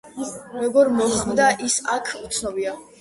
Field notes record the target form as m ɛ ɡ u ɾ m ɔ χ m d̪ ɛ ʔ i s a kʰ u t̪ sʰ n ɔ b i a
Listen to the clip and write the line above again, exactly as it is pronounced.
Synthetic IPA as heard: m ɛ ɡ ɔ ɾ m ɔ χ m d̪ a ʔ i s a kʰ u t̪ sʰ n ɔ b i a